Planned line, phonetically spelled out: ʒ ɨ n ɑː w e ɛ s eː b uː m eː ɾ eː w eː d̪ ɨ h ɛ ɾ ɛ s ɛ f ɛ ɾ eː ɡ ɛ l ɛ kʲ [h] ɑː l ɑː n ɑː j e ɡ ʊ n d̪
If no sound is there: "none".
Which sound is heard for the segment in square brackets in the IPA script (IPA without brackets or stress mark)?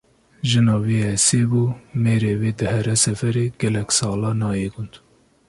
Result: s